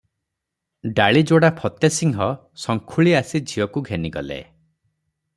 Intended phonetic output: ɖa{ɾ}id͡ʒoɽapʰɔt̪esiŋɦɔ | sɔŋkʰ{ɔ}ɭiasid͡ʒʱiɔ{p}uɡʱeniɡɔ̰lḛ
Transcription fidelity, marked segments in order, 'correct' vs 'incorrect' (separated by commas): incorrect, incorrect, incorrect